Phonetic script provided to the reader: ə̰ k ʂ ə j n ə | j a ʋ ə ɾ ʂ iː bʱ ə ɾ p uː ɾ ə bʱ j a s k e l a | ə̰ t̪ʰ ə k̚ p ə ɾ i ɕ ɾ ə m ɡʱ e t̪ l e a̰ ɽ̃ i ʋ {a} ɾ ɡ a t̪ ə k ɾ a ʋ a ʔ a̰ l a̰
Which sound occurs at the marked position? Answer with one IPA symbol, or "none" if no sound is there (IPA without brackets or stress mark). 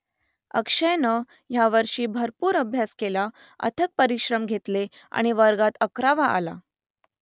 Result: ə